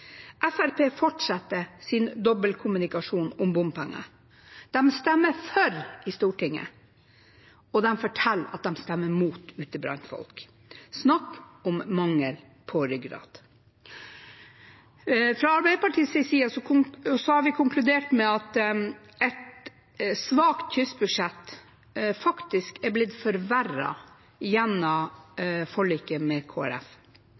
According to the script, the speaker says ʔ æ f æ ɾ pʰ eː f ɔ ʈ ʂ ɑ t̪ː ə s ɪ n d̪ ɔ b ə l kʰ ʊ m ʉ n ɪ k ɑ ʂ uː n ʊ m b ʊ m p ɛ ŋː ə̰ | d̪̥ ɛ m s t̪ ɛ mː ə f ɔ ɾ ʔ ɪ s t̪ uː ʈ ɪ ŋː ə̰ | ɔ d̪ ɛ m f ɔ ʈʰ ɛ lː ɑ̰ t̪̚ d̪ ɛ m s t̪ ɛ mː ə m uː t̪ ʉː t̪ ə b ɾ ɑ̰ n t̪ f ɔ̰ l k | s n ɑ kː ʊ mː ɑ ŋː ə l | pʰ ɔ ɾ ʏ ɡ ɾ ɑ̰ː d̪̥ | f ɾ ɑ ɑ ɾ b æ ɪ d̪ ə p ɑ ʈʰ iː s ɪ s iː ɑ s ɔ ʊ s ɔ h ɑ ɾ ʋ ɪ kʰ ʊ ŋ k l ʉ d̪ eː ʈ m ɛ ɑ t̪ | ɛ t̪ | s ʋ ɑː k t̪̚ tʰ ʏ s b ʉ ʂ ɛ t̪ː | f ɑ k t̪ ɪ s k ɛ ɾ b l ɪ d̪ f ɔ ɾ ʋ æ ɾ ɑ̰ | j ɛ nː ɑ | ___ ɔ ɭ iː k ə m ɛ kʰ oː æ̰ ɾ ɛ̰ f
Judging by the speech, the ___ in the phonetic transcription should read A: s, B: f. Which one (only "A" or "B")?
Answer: B